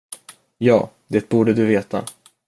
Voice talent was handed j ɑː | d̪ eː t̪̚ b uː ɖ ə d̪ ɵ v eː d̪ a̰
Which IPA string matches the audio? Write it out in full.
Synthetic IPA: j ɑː | d̪ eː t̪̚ b uː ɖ ə d̪ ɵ v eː t̪ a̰